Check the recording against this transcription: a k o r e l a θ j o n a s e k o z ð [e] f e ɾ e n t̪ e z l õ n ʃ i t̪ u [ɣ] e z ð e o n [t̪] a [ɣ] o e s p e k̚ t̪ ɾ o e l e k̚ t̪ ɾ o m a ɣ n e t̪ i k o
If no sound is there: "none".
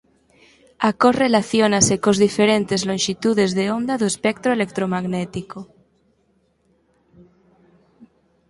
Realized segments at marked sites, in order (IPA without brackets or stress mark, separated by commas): i, ð, d̪, ð